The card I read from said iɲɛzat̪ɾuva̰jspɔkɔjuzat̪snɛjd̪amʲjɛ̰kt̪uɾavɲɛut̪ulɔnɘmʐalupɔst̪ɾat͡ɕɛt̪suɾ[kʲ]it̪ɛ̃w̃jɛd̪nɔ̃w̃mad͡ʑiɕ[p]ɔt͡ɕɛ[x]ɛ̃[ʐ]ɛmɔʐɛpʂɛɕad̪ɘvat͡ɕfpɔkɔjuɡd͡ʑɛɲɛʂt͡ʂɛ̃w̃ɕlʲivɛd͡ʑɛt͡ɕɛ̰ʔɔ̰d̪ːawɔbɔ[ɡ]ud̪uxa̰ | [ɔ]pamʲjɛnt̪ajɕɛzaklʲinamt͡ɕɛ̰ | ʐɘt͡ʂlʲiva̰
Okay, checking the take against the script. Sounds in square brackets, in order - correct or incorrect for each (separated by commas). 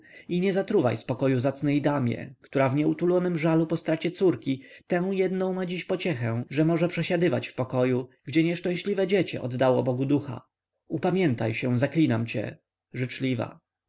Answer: correct, correct, correct, correct, correct, incorrect